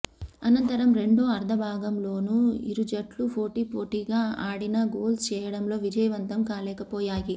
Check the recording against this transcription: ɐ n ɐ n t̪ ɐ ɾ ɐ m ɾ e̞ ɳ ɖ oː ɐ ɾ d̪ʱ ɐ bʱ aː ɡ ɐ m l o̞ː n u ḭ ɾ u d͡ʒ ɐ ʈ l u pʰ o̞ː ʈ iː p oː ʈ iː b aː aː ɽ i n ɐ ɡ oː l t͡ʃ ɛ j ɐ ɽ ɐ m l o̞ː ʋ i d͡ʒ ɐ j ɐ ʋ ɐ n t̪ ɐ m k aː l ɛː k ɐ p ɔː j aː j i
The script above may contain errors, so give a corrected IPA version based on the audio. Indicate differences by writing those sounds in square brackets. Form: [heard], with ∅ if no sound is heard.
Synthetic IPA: ɐ n ɐ n t̪ ɐ ɾ ɐ m ɾ e̞ ɳ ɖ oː ɐ ɾ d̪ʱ ɐ bʱ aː ɡ ɐ m l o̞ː n u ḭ ɾ u d͡ʒ ɐ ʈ l u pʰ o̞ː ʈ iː p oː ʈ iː [ɡ] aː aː ɽ i n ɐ ɡ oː l t͡ʃ [ɛː] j ɐ ɽ ɐ m l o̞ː ʋ i d͡ʒ ɐ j ɐ ʋ ɐ n t̪ ɐ m k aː l ɛː k ɐ p ɔː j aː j i